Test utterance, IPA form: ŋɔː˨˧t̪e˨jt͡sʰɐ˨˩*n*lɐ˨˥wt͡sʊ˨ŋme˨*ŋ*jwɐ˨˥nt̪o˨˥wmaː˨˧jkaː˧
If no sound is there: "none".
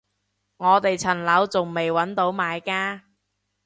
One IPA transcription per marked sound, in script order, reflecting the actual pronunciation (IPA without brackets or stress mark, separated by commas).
n, none